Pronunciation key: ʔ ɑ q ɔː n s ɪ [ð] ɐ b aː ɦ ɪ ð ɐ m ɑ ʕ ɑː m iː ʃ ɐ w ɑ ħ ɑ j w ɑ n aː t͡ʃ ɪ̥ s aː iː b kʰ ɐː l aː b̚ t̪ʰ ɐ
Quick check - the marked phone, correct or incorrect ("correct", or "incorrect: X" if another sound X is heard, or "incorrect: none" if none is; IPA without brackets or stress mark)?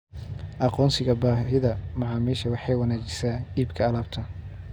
incorrect: ɣ